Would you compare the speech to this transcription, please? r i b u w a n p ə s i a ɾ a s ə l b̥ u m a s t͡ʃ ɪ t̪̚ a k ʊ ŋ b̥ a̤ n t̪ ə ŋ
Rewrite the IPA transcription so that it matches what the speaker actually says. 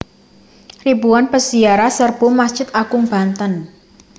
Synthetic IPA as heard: r i b u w a n p ə s i a ɾ a s ə r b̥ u m a s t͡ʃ ɪ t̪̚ a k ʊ ŋ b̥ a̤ n t̪ ə n